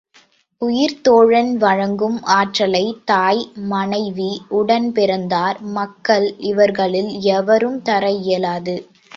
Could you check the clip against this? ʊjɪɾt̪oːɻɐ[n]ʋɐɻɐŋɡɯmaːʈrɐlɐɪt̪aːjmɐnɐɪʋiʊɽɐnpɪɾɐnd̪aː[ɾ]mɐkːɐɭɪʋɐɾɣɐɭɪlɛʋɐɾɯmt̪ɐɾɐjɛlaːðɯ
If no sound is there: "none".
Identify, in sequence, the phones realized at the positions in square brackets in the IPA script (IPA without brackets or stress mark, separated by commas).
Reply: n, ɾ